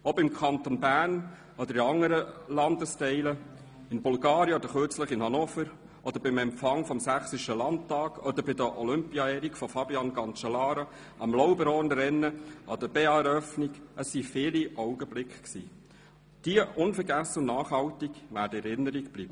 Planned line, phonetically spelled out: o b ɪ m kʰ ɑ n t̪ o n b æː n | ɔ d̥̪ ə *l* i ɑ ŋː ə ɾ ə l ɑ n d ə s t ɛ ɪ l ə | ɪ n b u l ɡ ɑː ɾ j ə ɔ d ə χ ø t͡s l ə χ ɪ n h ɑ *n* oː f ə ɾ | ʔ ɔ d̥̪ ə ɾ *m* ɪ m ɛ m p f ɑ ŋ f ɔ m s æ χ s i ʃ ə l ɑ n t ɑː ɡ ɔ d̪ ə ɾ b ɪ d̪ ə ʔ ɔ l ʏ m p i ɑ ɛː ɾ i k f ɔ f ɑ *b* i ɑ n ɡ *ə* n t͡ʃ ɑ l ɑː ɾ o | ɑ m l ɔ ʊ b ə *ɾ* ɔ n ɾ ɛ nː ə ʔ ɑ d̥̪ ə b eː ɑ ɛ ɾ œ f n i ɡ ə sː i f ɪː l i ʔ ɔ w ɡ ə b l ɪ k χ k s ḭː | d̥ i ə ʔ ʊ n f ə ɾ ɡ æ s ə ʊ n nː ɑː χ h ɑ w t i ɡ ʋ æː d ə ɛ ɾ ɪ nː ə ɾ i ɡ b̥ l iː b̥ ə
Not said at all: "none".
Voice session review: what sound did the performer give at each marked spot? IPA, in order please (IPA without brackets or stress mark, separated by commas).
ɾ, n, b, b, ɑ, ɾ